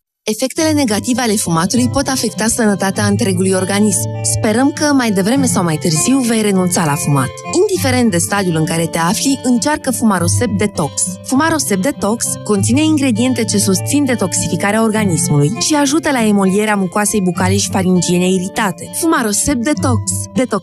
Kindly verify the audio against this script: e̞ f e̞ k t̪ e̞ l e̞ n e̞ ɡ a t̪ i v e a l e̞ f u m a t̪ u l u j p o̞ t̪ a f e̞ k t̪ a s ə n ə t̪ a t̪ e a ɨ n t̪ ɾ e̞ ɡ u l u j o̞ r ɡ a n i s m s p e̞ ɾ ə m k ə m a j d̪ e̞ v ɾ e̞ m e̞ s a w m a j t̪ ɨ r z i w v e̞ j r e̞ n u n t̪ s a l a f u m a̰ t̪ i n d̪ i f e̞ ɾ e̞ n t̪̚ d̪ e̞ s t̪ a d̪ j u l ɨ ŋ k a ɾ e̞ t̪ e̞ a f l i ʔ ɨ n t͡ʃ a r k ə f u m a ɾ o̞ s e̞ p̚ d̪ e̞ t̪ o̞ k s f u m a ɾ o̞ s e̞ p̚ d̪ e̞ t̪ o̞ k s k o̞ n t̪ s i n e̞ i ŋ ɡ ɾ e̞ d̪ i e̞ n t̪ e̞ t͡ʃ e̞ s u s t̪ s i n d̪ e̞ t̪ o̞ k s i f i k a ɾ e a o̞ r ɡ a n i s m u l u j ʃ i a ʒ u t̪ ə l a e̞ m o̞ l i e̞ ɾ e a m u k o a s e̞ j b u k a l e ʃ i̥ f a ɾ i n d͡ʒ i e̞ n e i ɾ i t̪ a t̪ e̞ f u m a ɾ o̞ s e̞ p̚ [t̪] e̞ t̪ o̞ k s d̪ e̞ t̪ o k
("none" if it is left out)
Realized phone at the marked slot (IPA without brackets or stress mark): d̪